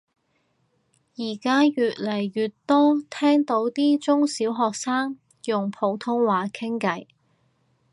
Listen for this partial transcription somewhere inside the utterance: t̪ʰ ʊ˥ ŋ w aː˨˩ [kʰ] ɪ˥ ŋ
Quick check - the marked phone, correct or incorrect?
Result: correct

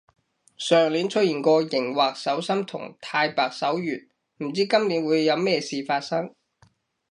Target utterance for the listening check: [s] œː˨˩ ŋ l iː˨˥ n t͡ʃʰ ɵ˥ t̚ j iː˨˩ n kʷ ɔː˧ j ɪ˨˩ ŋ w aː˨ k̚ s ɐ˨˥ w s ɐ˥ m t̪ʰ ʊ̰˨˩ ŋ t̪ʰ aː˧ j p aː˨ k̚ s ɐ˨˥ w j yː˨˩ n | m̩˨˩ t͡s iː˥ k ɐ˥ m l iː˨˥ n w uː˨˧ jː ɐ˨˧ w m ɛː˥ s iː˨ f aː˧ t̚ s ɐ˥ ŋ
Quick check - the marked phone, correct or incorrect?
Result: correct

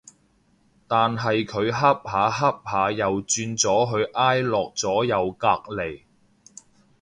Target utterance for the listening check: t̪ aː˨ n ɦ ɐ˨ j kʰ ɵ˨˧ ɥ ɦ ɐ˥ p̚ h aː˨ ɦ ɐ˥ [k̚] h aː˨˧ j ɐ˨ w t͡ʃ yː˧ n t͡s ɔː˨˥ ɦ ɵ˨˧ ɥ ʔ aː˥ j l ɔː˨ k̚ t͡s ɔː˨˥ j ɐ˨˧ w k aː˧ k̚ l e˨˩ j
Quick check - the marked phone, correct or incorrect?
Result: incorrect: p̚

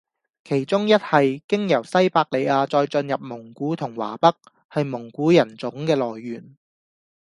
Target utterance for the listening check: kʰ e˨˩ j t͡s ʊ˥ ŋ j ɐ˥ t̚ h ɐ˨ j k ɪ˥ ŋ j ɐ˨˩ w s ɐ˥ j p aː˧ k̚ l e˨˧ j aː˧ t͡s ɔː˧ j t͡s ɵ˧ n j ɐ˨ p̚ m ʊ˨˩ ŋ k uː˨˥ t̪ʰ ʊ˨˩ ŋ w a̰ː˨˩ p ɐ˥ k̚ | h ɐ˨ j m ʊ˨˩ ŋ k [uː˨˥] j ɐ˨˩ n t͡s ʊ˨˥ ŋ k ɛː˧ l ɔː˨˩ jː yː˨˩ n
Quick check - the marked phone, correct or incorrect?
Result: correct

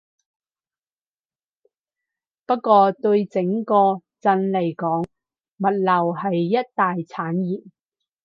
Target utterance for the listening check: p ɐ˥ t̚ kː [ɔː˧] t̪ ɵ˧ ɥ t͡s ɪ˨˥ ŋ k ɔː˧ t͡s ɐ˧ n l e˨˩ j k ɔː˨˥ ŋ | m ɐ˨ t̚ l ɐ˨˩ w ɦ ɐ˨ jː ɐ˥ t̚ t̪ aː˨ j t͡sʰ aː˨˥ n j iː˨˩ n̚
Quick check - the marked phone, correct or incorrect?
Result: correct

